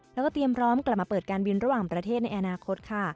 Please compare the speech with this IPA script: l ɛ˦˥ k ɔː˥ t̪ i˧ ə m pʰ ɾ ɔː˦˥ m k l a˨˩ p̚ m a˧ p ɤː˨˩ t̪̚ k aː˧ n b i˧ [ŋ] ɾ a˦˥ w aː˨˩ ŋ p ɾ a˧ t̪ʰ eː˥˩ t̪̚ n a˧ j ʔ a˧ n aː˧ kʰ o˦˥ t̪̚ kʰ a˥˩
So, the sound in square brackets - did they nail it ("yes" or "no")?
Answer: no